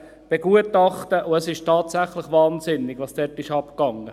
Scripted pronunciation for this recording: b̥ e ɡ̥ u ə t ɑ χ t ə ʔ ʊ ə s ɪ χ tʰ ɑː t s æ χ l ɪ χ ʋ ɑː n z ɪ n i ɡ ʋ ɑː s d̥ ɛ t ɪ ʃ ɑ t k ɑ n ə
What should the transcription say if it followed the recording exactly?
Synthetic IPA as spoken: b̥ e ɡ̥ u ə t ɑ χ t ə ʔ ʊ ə s ɪ ʃ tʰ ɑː t s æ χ l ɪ χ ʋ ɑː n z ɪ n ɪ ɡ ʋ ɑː s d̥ ɛ t ɪ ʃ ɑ p k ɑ ŋ ə